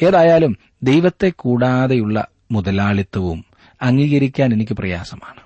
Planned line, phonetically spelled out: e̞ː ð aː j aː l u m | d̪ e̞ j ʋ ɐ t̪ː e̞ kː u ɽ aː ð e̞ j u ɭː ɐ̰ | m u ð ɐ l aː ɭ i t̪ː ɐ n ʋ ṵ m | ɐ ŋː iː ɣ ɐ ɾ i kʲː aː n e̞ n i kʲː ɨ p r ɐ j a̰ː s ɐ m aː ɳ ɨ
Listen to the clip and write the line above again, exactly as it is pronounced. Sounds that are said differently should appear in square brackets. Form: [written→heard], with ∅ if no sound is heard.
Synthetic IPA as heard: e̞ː ð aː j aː l u m | d̪ e̞ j ʋ ɐ t̪ː e̞ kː [u→uː] ɽ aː ð e̞ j u ɭː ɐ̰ | m u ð ɐ l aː ɭ i t̪ː ɐ [n→∅] ʋ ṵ m | ɐ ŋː iː ɣ ɐ ɾ i kʲː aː n e̞ n i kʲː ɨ p r ɐ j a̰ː s ɐ m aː ɳ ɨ